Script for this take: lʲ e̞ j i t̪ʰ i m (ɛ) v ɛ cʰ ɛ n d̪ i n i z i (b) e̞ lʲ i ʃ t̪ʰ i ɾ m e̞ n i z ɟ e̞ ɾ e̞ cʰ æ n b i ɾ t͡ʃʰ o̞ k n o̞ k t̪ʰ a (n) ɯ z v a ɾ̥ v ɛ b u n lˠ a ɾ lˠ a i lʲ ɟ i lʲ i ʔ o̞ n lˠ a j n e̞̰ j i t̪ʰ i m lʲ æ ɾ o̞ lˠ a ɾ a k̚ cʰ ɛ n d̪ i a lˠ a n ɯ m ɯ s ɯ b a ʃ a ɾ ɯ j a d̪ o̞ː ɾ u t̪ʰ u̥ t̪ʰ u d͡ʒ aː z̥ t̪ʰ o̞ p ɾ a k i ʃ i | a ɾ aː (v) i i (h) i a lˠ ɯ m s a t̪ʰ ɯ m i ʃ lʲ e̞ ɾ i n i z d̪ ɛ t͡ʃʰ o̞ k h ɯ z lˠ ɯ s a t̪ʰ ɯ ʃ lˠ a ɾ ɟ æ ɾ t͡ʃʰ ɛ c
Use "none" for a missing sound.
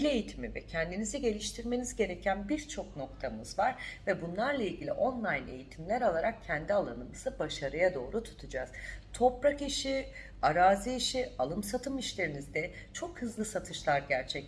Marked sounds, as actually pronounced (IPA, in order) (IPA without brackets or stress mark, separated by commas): i, ɟ, m, z, ʃ